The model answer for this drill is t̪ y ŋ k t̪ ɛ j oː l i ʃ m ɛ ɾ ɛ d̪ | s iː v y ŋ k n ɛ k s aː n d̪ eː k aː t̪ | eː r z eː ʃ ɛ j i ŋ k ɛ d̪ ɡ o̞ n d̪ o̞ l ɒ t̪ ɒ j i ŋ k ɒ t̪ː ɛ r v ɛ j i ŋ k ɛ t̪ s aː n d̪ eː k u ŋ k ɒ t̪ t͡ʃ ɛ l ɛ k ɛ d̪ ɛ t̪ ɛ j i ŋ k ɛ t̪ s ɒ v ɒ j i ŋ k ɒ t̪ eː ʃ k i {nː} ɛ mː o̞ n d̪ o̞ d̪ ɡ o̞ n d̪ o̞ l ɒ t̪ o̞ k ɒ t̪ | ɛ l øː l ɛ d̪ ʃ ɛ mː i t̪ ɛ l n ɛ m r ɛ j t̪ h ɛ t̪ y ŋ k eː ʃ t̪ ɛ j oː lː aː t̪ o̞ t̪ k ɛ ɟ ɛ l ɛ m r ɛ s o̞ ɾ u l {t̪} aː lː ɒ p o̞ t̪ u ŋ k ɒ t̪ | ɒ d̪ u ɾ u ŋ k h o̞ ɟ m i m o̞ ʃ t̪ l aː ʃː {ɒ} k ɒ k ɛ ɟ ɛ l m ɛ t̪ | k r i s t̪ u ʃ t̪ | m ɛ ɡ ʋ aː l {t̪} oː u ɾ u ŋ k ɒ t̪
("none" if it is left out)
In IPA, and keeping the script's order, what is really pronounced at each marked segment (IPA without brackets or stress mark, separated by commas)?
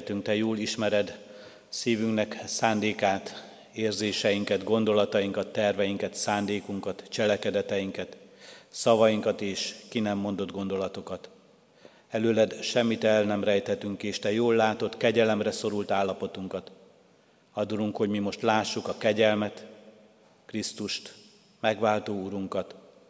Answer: n, t̪, u, t̪